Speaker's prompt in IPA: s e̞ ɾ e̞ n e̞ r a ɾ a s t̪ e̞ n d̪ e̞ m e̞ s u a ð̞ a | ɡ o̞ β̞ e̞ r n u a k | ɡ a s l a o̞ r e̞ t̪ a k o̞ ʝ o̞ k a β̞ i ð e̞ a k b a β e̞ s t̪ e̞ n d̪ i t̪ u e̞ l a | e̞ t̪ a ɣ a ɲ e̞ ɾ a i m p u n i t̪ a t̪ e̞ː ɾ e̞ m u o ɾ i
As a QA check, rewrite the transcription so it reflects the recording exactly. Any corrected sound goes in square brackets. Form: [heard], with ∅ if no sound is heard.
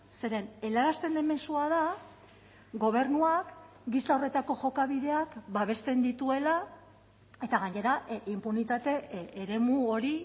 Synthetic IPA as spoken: s e̞ ɾ e̞ n e̞ [l] a ɾ a s t̪ e̞ n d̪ e̞ m e̞ s u a ð̞ a | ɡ o̞ β̞ e̞ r n u a k | ɡ [i] s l a o̞ r e̞ t̪ a k o̞ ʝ o̞ k a β̞ i ð e̞ a k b a β e̞ s t̪ e̞ n d̪ i t̪ u e̞ l a | e̞ t̪ a ɣ a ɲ e̞ ɾ a i m p u n i t̪ a t̪ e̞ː ɾ e̞ m u o ɾ i

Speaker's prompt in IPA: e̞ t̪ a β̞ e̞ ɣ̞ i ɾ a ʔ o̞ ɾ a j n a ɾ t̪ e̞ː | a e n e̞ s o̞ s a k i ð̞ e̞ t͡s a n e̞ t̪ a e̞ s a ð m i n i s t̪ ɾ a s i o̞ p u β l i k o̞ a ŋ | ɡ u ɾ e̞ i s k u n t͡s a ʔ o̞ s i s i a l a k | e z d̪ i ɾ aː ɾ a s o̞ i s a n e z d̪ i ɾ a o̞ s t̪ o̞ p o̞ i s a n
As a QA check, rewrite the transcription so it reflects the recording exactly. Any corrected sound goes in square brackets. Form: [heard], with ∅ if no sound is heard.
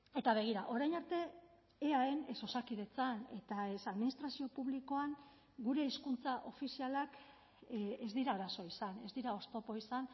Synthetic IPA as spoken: e̞ t̪ a β̞ e̞ ɣ̞ i ɾ a ʔ o̞ ɾ a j n a ɾ t̪ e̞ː | a e n e̞ s o̞ s a k i ð̞ e̞ t͡s a n e̞ t̪ a e̞ s a ð m i n i s t̪ ɾ a s i o̞ p u β l i k o̞ a ŋ | ɡ u ɾ e̞ i s k u n t͡s a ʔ o̞ [f] i s i a l a k | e z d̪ i ɾ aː ɾ a s o̞ i s a n e z d̪ i ɾ a o̞ s t̪ o̞ p o̞ i s a n

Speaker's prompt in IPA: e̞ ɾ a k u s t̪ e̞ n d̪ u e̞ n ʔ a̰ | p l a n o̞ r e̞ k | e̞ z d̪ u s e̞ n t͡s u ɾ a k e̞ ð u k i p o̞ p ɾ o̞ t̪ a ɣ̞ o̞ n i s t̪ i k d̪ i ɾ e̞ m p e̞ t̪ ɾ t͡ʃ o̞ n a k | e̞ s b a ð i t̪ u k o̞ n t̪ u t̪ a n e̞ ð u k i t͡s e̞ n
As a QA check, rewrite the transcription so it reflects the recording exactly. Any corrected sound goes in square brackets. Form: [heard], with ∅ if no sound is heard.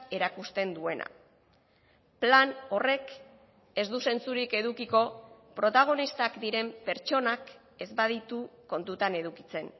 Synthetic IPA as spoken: e̞ ɾ a k u s t̪ e̞ n d̪ u e̞ n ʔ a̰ | p l a n o̞ r e̞ k | e̞ z d̪ u s e̞ n t͡s u ɾ [i] k e̞ ð u k i [k] o̞ p ɾ o̞ t̪ a ɣ̞ o̞ n i s t̪ [a] k d̪ i ɾ e̞ m p e̞ [∅] ɾ t͡ʃ o̞ n a k | e̞ [z] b a ð i t̪ u k o̞ n t̪ u t̪ a n e̞ ð u k i t͡s e̞ n

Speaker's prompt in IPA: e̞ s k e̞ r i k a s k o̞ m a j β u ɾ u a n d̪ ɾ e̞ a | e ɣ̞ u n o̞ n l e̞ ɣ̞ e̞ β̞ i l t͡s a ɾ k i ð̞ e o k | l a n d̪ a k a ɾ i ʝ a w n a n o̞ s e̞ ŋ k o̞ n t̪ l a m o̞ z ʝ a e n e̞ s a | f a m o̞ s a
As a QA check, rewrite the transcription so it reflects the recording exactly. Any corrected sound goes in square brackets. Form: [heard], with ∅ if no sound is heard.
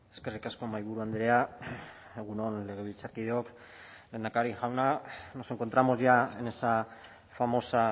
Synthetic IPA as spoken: e̞ s k e̞ r i k a s k o̞ m a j β u ɾ u a n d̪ ɾ e̞ a | e ɣ̞ u n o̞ n l e̞ ɣ̞ e̞ β̞ i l t͡s a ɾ k i ð̞ e o k | l [e] n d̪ a k a ɾ i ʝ a w n a n o̞ s e̞ ŋ k o̞ n t̪ [ɾ] a m o̞ z ʝ a e n e̞ s a | f a m o̞ s a

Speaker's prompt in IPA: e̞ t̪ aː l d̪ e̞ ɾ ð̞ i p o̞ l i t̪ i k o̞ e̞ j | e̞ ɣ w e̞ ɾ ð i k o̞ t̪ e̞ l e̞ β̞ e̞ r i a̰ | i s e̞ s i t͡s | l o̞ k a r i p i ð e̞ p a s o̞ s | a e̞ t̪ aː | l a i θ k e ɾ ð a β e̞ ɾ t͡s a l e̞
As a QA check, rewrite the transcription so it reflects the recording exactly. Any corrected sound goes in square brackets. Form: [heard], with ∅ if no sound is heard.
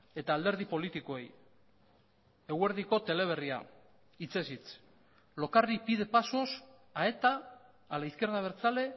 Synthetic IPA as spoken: e̞ t̪ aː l d̪ e̞ ɾ ð̞ i p o̞ l i t̪ i k o̞ e̞ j | e̞ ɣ w e̞ ɾ ð i k o̞ t̪ e̞ l e̞ β̞ e̞ r i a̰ | i [t͡s] e̞ s i t͡s | l o̞ k a r i p i ð e̞ p a s o̞ s | a e̞ t̪ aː | l a i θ k e ɾ ð a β e̞ ɾ t͡s a l e̞

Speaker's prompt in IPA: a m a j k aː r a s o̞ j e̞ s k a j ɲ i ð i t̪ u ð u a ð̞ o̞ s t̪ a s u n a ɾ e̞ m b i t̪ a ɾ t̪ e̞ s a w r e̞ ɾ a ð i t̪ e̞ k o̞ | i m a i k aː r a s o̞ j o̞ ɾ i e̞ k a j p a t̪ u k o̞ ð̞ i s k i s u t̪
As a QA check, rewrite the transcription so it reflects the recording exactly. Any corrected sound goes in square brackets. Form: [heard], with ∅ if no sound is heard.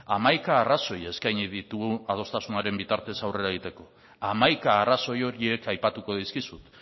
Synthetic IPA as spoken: a m a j k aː r a s o̞ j e̞ s k a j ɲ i ð i t̪ u [ɣ] u a ð̞ o̞ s t̪ a s u n a ɾ e̞ m b i t̪ a ɾ t̪ e̞ s a w r e̞ ɾ a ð i t̪ e̞ k o̞ | [a] m a [j] k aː r a s o̞ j o̞ ɾ i e̞ k a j p a t̪ u k o̞ ð̞ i s k i s u t̪

